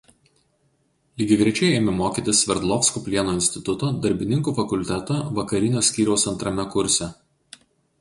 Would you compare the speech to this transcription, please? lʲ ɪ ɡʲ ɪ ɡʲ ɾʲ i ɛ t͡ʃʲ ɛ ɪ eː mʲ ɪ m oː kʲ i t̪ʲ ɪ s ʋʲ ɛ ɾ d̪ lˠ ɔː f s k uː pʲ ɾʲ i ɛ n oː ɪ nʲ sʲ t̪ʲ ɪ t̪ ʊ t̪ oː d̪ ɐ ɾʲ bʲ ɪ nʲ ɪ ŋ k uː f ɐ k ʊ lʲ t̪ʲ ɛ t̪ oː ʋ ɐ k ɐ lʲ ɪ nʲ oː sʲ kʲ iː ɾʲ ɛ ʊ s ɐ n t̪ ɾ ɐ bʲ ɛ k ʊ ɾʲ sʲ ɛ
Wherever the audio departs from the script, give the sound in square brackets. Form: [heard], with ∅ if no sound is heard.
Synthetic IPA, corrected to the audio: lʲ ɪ ɡʲ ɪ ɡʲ ɾʲ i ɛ t͡ʃʲ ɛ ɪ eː mʲ ɪ m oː kʲ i t̪ʲ ɪ s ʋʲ ɛ ɾ d̪ lˠ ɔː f s k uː pʲ [lʲ] i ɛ n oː ɪ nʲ sʲ t̪ʲ ɪ t̪ ʊ t̪ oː d̪ ɐ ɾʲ bʲ ɪ nʲ ɪ ŋ k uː f ɐ k ʊ lʲ t̪ʲ ɛ t̪ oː ʋ ɐ k ɐ [ɾʲ] ɪ nʲ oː sʲ kʲ iː ɾʲ ɛ ʊ s ɐ n t̪ ɾ ɐ [mʲ] ɛ k ʊ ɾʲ sʲ ɛ